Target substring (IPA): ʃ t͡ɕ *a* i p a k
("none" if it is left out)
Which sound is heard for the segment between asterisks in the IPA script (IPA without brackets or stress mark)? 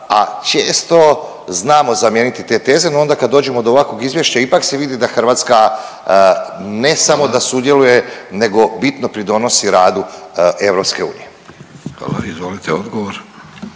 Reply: a